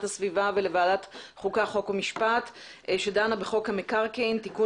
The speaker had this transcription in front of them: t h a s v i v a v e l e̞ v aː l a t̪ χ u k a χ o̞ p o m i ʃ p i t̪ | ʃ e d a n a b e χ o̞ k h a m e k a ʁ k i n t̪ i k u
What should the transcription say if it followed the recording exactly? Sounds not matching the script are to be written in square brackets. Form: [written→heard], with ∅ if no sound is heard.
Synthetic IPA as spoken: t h a s v i v a v e l e̞ v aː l a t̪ χ u k a χ o̞ [p→k] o m i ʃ p [i→a] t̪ | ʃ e d a n a b e χ o̞ k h a m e k a ʁ k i n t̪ i k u